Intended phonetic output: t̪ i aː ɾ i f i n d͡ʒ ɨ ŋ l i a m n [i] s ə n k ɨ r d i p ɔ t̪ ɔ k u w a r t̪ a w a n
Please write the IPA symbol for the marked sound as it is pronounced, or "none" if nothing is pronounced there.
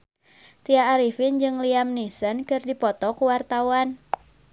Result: i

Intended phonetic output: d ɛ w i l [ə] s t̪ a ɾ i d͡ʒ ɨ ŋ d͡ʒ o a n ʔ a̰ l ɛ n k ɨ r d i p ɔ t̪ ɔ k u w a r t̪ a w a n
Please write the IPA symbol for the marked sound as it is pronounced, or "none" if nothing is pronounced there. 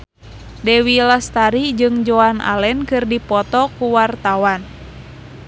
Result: a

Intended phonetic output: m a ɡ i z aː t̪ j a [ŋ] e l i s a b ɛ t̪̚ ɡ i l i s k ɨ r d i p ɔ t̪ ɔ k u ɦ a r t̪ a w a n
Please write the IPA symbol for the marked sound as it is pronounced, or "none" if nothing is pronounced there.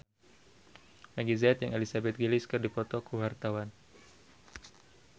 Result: ŋ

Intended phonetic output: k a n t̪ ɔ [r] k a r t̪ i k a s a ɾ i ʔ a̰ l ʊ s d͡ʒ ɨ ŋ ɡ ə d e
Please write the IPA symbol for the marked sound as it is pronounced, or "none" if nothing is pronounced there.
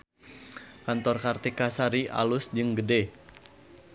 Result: r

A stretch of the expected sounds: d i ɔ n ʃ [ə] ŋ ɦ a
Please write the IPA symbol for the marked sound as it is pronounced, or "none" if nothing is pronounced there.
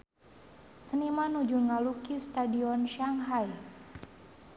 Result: a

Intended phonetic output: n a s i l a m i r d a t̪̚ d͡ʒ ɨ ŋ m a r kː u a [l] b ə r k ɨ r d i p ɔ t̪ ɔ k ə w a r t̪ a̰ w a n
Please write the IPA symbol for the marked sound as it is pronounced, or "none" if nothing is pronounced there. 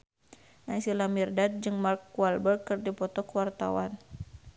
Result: l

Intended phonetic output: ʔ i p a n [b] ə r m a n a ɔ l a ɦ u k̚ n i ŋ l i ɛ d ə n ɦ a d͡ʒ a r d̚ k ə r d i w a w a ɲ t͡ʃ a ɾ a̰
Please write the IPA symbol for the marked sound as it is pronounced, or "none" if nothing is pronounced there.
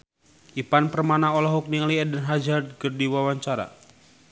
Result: p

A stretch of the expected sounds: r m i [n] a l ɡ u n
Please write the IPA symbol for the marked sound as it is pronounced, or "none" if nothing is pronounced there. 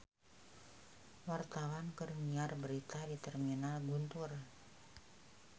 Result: n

